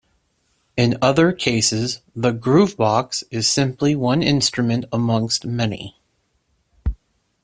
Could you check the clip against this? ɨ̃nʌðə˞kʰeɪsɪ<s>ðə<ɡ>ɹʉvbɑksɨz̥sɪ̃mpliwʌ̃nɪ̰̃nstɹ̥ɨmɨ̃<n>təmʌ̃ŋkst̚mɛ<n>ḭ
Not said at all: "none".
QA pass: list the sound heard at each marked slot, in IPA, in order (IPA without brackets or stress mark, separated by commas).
z, ɡ, n, n